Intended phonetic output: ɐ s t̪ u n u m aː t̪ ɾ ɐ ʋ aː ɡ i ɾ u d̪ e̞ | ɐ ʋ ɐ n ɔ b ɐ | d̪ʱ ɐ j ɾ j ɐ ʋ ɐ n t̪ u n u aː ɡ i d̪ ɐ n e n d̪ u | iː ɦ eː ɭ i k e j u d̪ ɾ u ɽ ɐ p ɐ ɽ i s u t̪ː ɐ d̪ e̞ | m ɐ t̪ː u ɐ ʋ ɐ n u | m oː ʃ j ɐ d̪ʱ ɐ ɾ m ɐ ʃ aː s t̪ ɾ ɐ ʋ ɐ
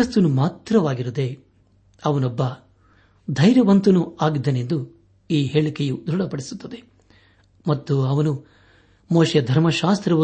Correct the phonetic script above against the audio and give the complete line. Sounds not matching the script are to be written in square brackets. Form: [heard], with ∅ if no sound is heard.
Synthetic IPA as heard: ɐ s t̪ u n u m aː t̪ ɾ ɐ ʋ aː ɡ i ɾ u d̪ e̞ | ɐ ʋ ɐ n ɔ [bː] ɐ | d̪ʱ ɐ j ɾ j ɐ ʋ ɐ n t̪ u n u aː ɡ i d̪ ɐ n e n d̪ u | iː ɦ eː ɭ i k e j u d̪ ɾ u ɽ ɐ p ɐ ɽ i s u t̪ː ɐ d̪ e̞ | m ɐ t̪ː u ɐ ʋ ɐ n u | m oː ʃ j ɐ d̪ʱ ɐ ɾ m ɐ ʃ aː s t̪ ɾ ɐ ʋ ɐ